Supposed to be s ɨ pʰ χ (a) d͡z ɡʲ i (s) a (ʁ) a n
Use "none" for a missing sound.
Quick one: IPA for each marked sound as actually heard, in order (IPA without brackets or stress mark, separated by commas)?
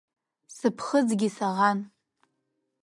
ə, s, ʁ